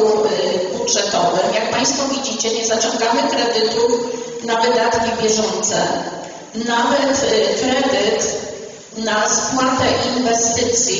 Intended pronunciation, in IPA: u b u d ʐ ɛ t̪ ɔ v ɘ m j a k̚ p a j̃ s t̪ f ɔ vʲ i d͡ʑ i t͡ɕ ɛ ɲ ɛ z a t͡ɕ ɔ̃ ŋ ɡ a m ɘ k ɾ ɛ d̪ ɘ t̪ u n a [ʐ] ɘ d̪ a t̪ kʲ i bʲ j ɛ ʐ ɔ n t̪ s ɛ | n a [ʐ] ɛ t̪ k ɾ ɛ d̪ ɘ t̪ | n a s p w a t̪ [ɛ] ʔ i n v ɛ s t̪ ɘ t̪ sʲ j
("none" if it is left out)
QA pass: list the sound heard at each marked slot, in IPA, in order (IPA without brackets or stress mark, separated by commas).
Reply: v, v, ɛ